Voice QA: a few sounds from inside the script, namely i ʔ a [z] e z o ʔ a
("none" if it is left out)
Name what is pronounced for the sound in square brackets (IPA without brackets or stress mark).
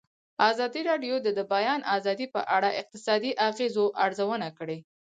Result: ɣ